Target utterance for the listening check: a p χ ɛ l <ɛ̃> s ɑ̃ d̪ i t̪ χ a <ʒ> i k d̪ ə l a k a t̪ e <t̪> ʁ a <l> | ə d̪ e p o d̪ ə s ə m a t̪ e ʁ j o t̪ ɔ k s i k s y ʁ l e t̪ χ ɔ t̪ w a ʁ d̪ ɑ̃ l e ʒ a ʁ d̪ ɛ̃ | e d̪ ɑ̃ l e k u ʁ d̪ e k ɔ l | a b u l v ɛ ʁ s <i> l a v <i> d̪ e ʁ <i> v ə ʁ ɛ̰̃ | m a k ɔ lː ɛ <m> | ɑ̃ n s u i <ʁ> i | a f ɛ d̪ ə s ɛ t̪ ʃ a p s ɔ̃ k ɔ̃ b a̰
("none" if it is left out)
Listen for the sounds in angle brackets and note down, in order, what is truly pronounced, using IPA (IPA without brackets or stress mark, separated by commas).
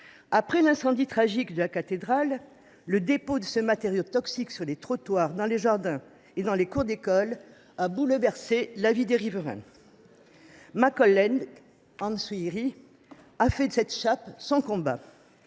ɛ̃, ʒ, d̪, lː, e, i, i, n, ʁ